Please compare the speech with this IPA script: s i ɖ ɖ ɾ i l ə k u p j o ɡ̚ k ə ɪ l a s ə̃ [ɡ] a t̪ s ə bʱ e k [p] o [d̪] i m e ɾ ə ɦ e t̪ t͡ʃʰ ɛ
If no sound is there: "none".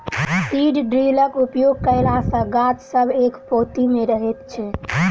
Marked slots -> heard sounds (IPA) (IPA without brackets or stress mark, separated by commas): ɡ, p, t̪